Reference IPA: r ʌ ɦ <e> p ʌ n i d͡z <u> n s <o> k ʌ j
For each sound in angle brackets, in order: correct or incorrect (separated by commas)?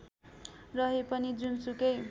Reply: correct, correct, incorrect